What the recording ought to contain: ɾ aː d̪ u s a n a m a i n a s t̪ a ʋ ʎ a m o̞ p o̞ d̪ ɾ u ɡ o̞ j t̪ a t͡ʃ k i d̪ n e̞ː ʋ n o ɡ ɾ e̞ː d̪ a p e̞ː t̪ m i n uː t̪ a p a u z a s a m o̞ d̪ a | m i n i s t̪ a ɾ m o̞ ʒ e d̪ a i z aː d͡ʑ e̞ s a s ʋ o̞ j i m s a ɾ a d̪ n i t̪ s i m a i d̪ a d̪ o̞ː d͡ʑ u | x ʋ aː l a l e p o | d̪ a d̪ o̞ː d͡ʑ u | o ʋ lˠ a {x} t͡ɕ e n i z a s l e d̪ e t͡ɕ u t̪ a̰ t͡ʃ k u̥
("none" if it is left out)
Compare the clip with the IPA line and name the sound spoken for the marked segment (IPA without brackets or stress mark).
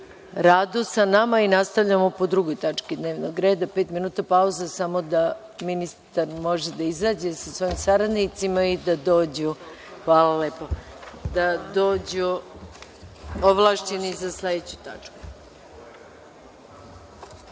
ʃ